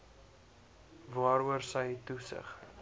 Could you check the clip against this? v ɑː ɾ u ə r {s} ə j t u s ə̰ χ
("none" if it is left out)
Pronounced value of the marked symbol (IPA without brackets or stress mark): s